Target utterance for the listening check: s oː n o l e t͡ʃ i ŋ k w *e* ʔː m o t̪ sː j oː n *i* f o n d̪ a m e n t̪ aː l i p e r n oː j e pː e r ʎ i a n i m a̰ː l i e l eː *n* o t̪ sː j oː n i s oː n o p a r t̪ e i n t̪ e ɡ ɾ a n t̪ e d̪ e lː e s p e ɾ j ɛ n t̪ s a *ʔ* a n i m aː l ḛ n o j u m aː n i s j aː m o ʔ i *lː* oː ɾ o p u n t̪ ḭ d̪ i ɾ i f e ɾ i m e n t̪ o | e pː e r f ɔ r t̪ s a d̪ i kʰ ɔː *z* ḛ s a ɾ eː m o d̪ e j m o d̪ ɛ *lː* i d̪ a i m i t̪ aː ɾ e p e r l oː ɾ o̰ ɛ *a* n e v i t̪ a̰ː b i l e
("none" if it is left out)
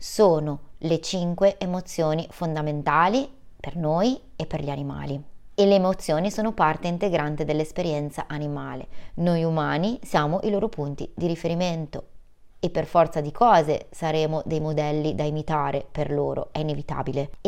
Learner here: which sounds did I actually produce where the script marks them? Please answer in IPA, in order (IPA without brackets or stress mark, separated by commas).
e, i, m, ʔ, l, z, lː, i